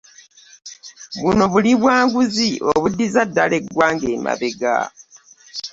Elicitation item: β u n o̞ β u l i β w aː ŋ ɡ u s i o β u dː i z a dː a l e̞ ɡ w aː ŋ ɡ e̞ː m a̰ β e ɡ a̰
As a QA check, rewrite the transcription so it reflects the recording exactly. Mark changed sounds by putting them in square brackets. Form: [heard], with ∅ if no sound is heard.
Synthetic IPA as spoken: β u n o̞ β u l i β w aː ŋ ɡ u [z] i o β u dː i z a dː a l e̞ ɡ w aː ŋ ɡ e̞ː m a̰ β e ɡ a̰